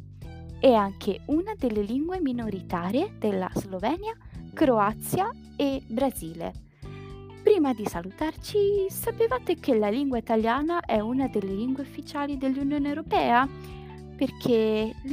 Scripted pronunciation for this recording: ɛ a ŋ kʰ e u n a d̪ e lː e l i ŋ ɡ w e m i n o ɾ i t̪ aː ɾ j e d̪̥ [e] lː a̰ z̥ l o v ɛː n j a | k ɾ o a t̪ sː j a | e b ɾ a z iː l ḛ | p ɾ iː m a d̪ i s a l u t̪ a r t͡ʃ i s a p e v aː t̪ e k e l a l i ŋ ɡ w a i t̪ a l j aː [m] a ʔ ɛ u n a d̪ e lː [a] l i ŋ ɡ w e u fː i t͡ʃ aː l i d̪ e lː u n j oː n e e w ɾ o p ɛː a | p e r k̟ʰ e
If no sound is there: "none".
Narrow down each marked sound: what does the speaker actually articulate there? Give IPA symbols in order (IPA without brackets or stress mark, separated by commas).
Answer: e, n, e